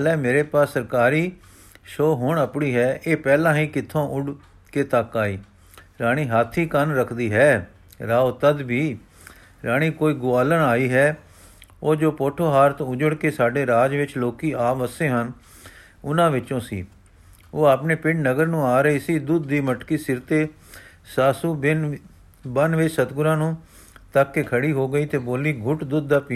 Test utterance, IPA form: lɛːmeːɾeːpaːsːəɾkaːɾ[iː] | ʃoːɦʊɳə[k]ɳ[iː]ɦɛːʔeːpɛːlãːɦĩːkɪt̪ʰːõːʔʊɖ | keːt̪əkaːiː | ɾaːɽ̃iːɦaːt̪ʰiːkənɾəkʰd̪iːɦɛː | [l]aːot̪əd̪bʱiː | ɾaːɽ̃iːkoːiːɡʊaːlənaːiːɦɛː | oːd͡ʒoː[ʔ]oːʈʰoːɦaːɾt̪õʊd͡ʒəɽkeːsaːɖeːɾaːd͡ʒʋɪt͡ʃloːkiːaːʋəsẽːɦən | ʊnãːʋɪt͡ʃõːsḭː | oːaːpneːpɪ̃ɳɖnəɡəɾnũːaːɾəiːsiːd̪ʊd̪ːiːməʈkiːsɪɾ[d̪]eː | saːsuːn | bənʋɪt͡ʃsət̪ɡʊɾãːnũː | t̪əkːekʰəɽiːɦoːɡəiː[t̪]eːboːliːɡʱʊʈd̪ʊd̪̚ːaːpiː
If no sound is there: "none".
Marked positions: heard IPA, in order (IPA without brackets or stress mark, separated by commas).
iː, p, iː, ɾ, p, t̪, t̪